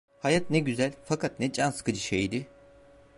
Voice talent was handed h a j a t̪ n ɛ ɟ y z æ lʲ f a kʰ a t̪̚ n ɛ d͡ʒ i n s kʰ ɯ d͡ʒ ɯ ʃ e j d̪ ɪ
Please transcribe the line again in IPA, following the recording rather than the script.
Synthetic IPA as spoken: h a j a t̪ n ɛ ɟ y z æ lʲ f a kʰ a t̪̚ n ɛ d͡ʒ a n s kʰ ɯ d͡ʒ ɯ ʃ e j d̪ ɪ